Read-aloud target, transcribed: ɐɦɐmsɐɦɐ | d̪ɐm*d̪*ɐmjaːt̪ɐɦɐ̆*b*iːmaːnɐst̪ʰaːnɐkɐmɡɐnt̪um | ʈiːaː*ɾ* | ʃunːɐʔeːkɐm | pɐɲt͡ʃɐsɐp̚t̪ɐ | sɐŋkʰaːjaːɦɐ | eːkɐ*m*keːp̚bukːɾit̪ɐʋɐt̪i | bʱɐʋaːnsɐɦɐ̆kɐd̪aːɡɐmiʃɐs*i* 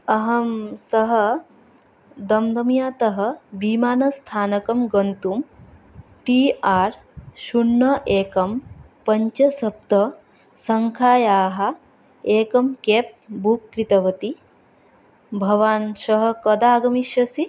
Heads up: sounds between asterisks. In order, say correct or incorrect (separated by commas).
correct, correct, correct, correct, correct